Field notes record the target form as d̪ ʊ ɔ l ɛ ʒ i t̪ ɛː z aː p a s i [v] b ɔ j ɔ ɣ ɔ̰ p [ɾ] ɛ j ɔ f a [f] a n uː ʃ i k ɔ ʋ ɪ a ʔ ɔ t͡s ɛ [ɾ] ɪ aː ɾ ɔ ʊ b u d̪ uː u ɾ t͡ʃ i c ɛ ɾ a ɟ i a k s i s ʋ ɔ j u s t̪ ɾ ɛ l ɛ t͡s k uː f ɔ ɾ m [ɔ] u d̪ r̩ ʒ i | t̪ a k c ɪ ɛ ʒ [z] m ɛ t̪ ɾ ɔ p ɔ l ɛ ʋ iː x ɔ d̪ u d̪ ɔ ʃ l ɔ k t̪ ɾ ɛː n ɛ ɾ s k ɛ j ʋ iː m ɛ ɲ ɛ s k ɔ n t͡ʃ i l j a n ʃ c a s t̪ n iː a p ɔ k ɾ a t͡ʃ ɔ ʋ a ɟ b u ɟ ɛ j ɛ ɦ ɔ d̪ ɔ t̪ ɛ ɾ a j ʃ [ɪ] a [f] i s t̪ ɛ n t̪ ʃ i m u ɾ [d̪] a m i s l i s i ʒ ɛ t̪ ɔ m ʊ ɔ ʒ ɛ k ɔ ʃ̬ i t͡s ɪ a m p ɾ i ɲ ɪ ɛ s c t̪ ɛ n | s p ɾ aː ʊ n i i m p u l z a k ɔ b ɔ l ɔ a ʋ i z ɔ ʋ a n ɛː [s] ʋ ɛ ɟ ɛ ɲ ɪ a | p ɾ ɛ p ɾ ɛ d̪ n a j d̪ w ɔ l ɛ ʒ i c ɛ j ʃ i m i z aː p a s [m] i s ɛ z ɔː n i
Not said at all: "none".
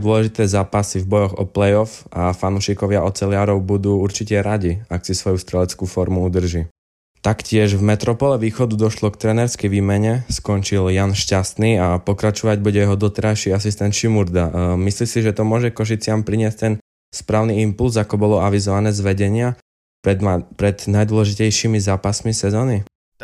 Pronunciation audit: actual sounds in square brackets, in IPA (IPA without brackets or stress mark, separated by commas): v, l, f, l, u, v, i, s, d̪, z, m